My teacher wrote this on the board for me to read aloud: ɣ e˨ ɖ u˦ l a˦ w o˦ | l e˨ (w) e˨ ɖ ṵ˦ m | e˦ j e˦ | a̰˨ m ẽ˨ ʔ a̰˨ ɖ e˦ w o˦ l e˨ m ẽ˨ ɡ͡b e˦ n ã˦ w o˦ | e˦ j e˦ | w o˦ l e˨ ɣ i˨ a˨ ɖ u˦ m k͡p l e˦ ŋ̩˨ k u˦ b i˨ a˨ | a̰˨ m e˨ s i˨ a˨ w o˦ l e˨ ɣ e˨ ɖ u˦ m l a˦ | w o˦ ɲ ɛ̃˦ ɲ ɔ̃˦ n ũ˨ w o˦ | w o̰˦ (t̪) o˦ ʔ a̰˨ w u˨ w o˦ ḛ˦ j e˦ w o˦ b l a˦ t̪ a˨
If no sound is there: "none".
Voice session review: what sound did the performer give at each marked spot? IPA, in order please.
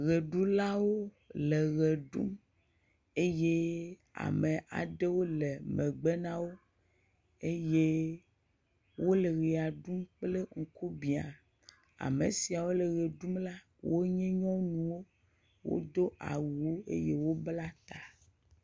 ɣ, d̪

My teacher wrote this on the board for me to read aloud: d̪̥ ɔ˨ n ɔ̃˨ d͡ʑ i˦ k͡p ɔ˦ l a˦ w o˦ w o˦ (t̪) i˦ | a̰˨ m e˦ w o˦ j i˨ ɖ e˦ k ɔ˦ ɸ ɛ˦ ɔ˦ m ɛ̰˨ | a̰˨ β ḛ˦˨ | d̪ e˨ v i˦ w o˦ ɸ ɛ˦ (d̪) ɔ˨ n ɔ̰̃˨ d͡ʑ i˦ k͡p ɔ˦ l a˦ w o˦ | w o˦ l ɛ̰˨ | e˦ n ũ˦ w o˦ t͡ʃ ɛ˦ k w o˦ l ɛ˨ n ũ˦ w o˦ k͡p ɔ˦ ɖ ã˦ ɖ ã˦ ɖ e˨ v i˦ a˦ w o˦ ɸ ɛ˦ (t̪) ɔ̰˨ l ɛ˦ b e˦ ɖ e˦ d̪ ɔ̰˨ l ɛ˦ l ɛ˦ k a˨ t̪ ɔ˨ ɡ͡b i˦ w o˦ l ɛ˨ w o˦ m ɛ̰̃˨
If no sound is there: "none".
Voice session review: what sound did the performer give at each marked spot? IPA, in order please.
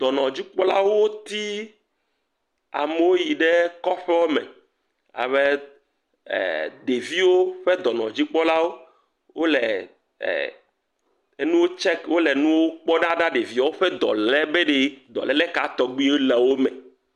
t̪, d̪, d̪

